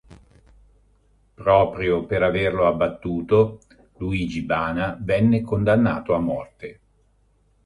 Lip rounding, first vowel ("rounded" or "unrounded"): rounded